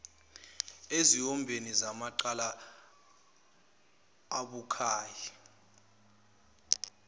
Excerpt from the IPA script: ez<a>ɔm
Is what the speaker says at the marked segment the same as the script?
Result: no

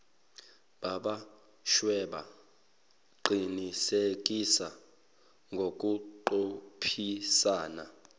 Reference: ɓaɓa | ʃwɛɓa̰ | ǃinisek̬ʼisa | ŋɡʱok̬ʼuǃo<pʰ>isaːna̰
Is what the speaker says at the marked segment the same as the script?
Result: yes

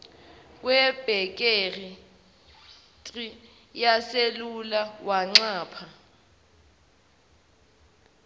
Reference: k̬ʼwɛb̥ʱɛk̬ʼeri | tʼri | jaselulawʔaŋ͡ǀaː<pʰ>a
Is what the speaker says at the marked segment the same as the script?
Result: yes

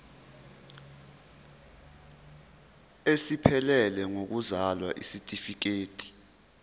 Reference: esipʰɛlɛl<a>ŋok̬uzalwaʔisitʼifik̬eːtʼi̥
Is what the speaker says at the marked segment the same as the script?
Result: no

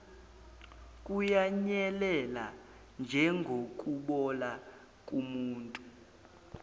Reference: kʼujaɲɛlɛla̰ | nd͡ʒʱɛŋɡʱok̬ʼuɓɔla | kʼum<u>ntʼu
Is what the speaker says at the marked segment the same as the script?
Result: no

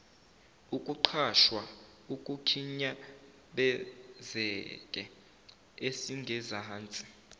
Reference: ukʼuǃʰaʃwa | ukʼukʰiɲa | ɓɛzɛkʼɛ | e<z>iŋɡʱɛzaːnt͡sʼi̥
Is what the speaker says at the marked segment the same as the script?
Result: no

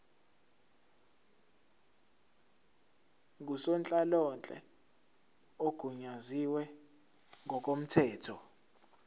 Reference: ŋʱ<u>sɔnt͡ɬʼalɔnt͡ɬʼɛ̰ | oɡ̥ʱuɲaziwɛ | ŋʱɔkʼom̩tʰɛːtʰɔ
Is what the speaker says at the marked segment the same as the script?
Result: yes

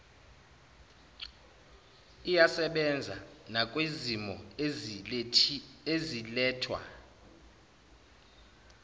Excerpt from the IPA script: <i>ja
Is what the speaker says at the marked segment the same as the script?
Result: yes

